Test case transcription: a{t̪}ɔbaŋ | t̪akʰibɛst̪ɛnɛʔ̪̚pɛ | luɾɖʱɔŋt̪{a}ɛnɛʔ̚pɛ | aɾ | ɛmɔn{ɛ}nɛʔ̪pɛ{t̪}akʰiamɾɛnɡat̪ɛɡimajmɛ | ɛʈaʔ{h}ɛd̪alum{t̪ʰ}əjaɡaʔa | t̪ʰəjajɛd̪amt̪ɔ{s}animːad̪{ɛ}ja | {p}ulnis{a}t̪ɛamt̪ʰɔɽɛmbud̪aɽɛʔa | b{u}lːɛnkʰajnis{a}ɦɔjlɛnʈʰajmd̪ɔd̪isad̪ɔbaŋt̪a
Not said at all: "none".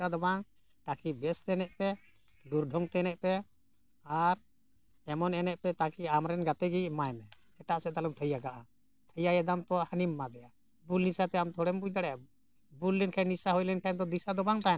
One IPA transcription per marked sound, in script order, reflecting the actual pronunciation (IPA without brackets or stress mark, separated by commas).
d̪, ɛ, ɛ, t̪, s, t̪ʰ, h, ɛ, b, a, u, a